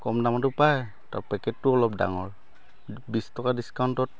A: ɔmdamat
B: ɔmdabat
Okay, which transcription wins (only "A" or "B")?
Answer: A